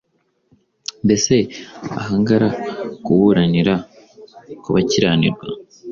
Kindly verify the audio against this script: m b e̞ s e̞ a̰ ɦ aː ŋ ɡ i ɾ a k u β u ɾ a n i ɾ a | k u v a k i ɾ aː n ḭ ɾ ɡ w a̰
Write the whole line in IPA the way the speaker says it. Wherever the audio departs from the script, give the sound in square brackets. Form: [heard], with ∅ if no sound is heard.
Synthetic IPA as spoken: m b e̞ s e̞ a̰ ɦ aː ŋ ɡ [a] ɾ a k u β u ɾ a n i ɾ a | k u [β] a [c] i ɾ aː n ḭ ɾ ɡ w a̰

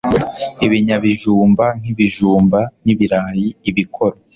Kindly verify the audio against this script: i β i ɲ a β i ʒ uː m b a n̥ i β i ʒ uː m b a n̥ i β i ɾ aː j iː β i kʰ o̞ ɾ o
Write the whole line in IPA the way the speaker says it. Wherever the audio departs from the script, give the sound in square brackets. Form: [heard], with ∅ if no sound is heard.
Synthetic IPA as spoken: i β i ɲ a β i ʒ uː m b a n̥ i β i ʒ uː m b a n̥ i β i ɾ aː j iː β i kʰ o̞ ɾ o

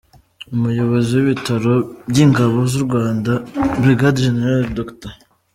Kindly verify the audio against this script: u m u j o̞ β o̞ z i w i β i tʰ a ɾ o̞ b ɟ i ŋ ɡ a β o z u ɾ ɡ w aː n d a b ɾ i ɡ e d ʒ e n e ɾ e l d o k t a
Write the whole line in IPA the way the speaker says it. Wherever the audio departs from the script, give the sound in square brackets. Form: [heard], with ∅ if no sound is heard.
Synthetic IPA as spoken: u m u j o̞ β o̞ z i w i β i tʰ a ɾ o̞ b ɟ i ŋ ɡ a β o z u ɾ ɡ w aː n d a b ɾ i ɡ [a] d ʒ e n e ɾ [a] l d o k t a

